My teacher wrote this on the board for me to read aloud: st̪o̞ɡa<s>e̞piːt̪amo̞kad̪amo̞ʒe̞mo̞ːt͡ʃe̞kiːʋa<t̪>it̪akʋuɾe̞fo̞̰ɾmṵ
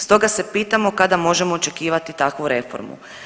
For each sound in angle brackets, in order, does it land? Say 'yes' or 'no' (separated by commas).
yes, yes